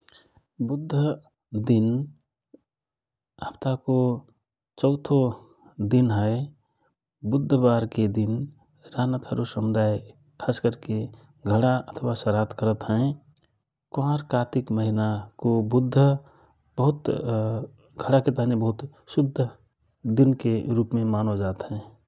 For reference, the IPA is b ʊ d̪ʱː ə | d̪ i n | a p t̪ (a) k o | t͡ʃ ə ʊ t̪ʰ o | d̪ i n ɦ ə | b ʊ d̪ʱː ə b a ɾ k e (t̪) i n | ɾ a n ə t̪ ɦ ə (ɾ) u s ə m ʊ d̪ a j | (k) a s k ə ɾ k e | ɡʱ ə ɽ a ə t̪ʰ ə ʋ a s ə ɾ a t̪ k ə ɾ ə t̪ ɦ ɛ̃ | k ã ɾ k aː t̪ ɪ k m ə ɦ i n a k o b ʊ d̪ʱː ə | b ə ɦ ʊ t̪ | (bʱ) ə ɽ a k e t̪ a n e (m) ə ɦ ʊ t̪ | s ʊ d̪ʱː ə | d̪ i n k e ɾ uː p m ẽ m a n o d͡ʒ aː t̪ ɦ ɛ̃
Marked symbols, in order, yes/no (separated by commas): yes, no, yes, no, no, no